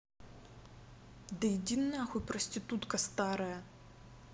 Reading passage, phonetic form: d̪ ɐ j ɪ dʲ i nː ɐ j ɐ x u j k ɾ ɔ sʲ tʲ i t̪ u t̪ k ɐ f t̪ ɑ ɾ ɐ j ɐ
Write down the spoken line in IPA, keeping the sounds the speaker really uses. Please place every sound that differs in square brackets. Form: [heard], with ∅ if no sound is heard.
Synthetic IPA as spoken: d̪ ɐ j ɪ dʲ i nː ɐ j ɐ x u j [p] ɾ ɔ sʲ tʲ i t̪ u t̪ k ɐ [s] t̪ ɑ ɾ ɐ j ɐ

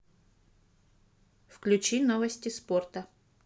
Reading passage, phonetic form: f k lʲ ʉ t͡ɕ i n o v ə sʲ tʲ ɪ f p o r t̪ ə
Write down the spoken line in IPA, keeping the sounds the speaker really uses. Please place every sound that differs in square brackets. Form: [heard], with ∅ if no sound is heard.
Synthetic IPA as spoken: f k lʲ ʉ t͡ɕ i n o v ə sʲ tʲ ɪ [s] p o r t̪ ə

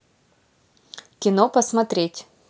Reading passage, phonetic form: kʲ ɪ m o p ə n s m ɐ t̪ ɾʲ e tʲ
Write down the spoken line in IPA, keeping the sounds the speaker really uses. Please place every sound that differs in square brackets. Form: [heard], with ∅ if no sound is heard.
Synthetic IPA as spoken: kʲ ɪ [n] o p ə [∅] s m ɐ t̪ ɾʲ e tʲ

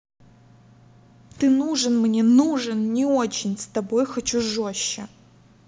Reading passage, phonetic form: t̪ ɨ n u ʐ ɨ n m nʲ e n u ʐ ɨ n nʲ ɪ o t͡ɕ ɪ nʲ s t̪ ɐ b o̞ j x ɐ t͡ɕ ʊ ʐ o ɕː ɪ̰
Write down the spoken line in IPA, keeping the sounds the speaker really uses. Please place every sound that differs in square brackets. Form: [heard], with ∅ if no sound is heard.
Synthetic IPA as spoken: t̪ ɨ n u ʐ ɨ n m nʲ e n u ʐ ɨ n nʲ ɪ o t͡ɕ ɪ nʲ s t̪ ɐ b o̞ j x ɐ t͡ɕ [u] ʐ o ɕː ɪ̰

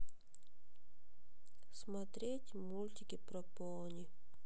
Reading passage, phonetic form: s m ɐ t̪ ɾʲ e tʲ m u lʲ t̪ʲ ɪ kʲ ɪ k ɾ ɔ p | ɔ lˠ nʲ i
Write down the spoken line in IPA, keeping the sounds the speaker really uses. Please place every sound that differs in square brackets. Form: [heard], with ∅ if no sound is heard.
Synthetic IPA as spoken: s m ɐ t̪ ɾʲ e tʲ m u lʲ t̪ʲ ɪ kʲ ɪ [p] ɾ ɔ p | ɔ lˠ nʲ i

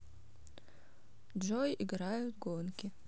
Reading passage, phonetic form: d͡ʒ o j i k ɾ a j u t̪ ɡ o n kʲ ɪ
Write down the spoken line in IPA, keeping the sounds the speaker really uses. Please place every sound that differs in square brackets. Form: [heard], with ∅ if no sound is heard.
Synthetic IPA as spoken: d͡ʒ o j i [ɡ] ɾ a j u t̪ ɡ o n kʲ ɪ

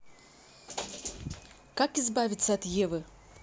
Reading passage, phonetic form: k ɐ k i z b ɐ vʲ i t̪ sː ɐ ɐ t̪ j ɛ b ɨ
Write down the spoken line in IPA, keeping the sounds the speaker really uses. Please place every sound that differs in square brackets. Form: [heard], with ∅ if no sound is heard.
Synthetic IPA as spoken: k [a] k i z b [a] vʲ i t̪ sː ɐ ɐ t̪ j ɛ [v] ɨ

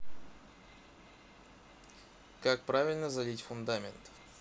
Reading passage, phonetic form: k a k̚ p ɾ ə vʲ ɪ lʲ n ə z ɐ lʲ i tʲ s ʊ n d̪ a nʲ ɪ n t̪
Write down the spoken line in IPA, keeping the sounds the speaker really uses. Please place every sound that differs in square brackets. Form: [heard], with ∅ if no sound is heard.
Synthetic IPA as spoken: k a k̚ p ɾ [a] vʲ ɪ lʲ n ə z ɐ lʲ i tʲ [f] ʊ n d̪ a [mʲ] ɪ n t̪

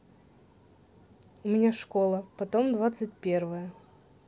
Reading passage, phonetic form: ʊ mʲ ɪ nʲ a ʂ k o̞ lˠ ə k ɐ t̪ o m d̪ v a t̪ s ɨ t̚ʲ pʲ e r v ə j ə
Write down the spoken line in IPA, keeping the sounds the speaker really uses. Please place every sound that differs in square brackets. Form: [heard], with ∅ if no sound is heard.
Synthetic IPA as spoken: ʊ mʲ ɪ nʲ a ʂ k o̞ lˠ ə [p] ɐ t̪ o m d̪ v a t̪ s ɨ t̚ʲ pʲ e r v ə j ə

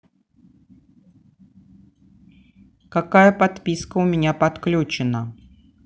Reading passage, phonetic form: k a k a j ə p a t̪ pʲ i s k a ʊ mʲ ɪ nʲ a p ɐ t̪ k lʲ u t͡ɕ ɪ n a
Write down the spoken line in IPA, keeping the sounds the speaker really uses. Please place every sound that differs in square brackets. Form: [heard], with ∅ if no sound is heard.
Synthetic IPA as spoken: k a k a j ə p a t̪ pʲ i s k [ə] ʊ mʲ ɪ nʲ a p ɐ t̪ k lʲ u t͡ɕ ɪ n [ə]

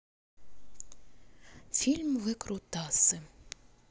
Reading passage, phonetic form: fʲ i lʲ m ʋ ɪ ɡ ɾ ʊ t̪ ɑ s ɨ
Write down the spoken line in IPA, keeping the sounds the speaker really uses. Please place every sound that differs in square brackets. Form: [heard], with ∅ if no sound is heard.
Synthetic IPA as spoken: fʲ i lʲ m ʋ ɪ [k] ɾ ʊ t̪ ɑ s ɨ

